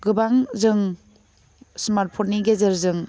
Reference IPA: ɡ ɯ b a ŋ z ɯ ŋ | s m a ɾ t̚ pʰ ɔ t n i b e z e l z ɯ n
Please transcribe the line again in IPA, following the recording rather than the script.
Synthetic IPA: ɡ ɯ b a ŋ z ɯ ŋ | s m a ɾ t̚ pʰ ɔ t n i ɡ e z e ɾ z ɯ ŋ

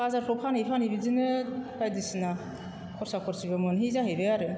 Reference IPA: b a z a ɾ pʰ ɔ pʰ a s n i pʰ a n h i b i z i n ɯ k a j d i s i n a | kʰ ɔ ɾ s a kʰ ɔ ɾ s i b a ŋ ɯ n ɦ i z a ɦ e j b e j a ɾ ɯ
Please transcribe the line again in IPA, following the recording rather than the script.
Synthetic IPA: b a z a ɾ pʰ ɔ pʰ a n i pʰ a n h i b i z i n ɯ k a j d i s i n a | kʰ ɔ ɾ s a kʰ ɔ ɾ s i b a m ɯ n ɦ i z a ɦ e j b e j a ɾ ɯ

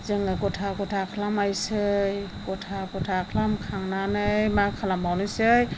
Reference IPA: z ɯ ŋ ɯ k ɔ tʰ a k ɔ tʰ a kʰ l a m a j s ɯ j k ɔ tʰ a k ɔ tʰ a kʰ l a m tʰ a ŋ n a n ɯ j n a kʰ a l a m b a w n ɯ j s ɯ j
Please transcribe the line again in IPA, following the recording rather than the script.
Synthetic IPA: z ɯ ŋ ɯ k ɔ tʰ a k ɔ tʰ a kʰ l a m a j s ɯ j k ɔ tʰ a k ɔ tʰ a kʰ l a m kʰ a ŋ n a n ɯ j m a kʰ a l a m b a w n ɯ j s ɯ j

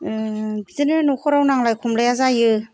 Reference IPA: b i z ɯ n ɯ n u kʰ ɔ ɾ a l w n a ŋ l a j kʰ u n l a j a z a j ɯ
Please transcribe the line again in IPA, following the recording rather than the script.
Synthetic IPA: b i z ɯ n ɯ n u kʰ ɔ ɾ a w n a ŋ l a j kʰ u m l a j a z a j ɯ

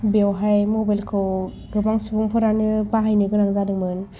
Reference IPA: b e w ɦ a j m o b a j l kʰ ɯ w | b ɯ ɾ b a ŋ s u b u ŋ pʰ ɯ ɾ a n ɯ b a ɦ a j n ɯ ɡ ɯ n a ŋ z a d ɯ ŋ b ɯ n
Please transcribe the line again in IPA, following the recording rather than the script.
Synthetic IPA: b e w ɦ a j m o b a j l kʰ ɯ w | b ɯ b a ŋ s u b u ŋ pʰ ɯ ɾ a n ɯ b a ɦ a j n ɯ ɡ ɯ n a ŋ z a d ɯ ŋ m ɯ n

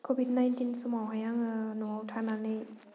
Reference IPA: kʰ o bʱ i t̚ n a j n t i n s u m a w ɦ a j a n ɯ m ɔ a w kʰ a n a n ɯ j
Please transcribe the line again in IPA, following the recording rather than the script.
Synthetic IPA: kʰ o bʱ i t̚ n a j n t i n s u m a w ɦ a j a ŋ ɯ n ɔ a w tʰ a n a n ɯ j

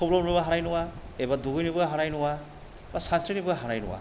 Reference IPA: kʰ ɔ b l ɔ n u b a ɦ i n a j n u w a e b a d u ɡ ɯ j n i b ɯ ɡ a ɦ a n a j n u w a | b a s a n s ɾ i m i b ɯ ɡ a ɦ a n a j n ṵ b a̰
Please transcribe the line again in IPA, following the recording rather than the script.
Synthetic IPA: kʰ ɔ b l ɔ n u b a ɦ a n a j n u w a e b a d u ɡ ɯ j n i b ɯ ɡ a ɦ a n a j n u w a | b a s a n s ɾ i n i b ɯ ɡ a ɦ a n a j n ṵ w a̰

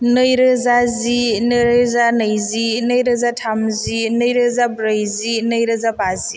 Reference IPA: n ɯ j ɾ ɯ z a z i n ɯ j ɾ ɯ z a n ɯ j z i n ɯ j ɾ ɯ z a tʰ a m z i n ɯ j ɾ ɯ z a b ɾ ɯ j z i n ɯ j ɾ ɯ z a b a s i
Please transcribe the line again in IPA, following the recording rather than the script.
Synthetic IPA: n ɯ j ɾ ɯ z a z i n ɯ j ɾ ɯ z a n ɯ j z i n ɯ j ɾ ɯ z a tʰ a m z i n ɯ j ɾ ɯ z a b ɾ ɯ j z i n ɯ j ɾ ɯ z a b a z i

